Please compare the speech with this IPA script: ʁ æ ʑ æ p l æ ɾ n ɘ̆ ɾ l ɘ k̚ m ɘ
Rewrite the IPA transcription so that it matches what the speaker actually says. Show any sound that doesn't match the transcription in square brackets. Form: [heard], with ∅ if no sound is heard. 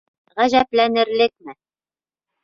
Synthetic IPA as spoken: ʁ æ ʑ æ p l æ [∅] n ɘ̆ ɾ l ɘ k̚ m ɘ